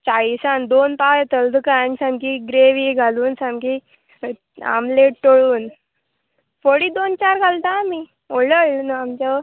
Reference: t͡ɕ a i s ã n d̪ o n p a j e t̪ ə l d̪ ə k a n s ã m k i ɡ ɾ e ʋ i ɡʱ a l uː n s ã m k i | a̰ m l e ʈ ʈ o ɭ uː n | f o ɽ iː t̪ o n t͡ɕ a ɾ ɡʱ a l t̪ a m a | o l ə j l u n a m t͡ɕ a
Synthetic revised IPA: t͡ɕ a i s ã n d̪ o n p a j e t̪ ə l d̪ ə k a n s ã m k i ɡ ɾ e ʋ i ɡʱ a l uː n s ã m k i | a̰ m l e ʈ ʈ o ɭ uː n | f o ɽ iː d̪ o n t͡ɕ a ɾ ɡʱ a l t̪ a m i | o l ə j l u n a m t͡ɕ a